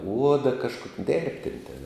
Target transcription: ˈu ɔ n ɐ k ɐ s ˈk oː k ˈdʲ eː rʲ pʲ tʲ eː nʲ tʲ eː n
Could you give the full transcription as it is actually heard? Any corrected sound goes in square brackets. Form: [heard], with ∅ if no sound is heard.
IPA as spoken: ˈu ɔ [d] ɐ k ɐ [ʃ] ˈk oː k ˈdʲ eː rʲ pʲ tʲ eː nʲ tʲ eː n